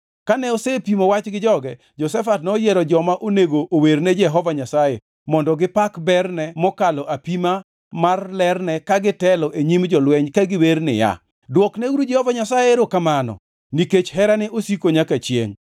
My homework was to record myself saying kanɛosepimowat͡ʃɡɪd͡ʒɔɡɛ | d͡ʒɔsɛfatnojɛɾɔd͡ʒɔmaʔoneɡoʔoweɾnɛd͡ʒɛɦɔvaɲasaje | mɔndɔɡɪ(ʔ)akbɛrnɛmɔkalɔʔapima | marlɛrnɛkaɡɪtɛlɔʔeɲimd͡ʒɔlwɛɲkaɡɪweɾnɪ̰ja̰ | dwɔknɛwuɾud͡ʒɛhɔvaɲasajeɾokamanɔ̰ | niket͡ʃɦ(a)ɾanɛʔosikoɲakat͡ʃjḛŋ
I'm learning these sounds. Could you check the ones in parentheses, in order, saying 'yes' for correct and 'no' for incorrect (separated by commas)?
no, no